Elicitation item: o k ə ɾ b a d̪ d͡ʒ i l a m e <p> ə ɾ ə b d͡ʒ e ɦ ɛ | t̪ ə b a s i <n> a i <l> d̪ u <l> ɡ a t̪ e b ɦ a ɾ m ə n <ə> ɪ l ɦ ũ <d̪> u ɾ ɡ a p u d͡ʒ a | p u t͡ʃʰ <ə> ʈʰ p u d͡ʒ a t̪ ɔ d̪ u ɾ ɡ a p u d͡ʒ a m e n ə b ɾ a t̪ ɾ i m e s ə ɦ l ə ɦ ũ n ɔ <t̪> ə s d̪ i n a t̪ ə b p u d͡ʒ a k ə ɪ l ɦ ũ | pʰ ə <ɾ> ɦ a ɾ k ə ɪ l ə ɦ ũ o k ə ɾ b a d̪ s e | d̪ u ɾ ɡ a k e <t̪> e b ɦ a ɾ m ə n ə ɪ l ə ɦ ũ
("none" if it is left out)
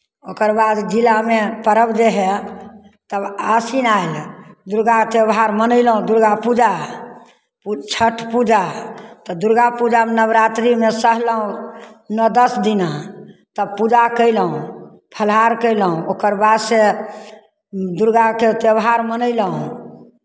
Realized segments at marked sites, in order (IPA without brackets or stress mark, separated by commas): p, n, l, ɾ, ə, d̪, ə, d̪, l, t̪